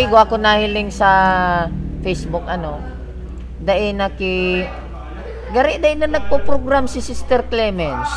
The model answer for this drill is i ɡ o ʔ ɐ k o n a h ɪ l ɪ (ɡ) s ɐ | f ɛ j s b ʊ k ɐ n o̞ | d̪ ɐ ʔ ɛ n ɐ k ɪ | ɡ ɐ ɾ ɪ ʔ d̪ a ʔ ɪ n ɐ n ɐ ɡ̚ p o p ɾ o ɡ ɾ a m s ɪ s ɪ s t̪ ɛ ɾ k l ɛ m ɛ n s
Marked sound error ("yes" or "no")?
yes